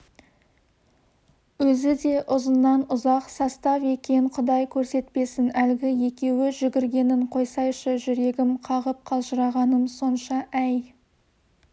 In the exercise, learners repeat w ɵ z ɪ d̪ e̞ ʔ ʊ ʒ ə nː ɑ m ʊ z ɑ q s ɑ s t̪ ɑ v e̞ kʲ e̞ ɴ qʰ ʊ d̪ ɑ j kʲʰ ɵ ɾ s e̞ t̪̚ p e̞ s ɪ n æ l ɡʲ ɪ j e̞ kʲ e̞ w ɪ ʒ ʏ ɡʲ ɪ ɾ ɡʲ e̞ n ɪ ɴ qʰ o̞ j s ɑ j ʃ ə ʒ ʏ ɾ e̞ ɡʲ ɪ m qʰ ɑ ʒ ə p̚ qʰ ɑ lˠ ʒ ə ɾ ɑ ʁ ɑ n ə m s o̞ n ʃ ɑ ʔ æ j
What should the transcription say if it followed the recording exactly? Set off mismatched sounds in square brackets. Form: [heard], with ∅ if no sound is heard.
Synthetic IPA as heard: w ɵ z ɪ d̪ e̞ ʔ ʊ [z] ə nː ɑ [n] ʊ z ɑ q s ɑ s t̪ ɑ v e̞ kʲ e̞ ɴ qʰ ʊ d̪ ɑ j kʲʰ ɵ ɾ s e̞ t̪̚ p e̞ s ɪ n æ l ɡʲ ɪ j e̞ kʲ e̞ w ɪ ʒ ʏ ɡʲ ɪ ɾ ɡʲ e̞ n ɪ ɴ qʰ o̞ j s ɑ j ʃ ə ʒ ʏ ɾ e̞ ɡʲ ɪ m qʰ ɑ [ʁ] ə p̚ qʰ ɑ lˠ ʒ ə ɾ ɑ ʁ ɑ n ə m s o̞ n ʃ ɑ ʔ æ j